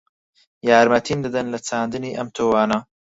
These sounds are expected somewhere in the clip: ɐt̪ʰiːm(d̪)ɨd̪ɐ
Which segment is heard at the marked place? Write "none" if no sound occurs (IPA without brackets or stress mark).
d̪